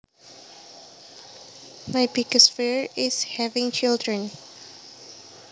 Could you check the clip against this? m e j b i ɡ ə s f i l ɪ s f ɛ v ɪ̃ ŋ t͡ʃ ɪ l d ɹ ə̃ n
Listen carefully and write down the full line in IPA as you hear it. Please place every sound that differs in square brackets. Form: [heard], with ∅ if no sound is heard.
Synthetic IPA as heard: m [a] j b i ɡ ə s f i [ɹ] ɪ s [h] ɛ v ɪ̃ ŋ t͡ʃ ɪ l d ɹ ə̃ n